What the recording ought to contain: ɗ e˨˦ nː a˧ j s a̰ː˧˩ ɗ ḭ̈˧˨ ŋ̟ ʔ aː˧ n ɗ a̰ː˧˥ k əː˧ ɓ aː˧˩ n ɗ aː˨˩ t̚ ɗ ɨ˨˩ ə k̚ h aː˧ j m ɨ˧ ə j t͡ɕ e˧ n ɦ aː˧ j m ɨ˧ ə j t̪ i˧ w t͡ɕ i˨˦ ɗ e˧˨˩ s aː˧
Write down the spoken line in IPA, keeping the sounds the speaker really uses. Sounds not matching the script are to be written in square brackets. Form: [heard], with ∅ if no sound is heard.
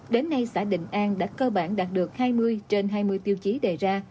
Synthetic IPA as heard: ɗ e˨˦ nː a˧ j s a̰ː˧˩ ɗ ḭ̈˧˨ ŋ̟ ʔ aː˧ n ɗ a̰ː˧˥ k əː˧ ɓ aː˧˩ n ɗ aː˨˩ t̚ ɗ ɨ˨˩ ə k̚ h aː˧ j m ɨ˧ ə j t͡ɕ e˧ n ɦ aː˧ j m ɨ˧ ə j t̪ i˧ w t͡ɕ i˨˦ ɗ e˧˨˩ [z] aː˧